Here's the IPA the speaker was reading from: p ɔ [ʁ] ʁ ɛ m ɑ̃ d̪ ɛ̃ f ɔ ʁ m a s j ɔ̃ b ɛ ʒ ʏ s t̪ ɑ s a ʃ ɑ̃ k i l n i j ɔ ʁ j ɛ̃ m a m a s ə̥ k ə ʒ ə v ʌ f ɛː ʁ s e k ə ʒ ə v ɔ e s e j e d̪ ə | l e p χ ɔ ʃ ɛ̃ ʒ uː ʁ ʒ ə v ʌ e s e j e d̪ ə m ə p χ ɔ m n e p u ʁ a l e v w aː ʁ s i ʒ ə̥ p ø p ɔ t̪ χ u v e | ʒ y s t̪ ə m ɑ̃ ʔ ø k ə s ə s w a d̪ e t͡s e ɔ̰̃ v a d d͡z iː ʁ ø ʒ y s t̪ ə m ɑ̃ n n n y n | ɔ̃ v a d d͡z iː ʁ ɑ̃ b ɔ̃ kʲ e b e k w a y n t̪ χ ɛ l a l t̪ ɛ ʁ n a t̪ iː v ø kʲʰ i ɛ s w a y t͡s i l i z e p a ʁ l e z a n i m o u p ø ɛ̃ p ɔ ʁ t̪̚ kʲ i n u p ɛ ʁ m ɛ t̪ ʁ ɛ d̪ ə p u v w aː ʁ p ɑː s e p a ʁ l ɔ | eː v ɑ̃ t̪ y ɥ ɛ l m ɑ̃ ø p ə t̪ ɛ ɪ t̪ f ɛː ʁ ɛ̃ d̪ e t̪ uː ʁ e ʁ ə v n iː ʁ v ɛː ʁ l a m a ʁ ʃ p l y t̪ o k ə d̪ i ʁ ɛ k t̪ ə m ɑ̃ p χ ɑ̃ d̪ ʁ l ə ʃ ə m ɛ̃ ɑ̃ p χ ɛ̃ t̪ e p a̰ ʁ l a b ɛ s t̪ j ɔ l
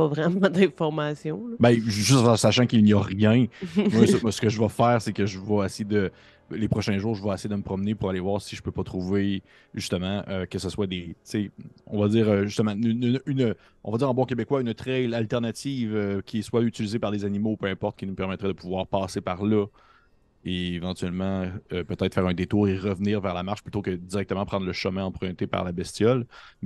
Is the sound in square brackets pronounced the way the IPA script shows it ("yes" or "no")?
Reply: no